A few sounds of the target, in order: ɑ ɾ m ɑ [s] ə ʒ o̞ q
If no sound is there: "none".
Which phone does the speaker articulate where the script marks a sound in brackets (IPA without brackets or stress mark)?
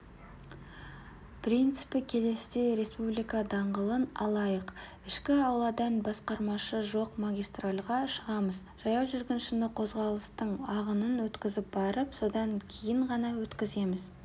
ʃ